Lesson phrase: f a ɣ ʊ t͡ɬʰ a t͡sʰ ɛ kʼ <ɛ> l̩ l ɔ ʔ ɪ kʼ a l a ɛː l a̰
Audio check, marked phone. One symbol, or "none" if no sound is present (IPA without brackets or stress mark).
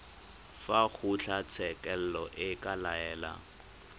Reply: ɛ